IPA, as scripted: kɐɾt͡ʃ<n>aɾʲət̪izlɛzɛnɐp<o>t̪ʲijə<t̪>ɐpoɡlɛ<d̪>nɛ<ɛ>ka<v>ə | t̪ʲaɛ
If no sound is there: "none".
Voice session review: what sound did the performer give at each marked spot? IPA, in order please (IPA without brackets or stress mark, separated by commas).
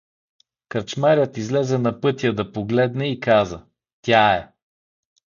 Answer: m, ɤ, d̪, d̪, i, z